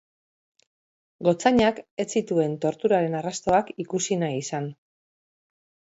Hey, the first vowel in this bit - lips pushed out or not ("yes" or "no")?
yes